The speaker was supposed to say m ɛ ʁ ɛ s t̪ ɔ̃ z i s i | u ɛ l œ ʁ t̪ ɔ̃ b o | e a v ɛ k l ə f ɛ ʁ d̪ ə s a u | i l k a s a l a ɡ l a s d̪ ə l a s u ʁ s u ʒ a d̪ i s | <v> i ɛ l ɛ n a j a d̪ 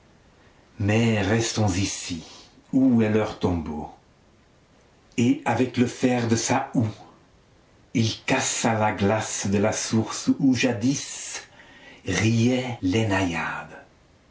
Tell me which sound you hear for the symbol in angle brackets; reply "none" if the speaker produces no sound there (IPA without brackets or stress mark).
ʁ